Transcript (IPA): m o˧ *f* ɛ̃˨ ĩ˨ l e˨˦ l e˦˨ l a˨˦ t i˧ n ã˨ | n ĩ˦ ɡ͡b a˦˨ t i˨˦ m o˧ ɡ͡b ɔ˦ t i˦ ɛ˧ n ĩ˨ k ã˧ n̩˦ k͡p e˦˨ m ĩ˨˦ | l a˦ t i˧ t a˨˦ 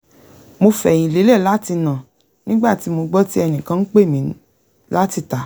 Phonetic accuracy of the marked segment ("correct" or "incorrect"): correct